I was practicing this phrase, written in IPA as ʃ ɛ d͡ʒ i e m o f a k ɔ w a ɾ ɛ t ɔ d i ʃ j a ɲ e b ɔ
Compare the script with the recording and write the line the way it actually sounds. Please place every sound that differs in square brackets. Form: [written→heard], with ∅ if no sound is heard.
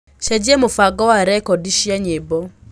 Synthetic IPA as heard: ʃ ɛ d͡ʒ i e m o f a [k→ɡ] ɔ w a ɾ ɛ [t→k] ɔ d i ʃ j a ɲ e b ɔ